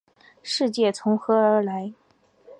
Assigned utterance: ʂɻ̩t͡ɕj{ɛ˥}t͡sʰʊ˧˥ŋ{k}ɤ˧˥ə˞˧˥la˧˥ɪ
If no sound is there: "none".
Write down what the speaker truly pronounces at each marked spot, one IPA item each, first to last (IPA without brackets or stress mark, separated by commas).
ɛ˥˩, x